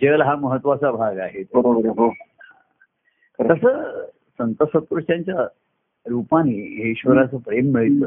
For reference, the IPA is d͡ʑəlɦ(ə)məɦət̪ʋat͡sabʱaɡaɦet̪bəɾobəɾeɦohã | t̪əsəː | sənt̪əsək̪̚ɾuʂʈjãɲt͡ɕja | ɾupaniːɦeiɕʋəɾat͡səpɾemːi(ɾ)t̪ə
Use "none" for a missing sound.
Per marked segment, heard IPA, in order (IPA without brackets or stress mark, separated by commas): a, ɭ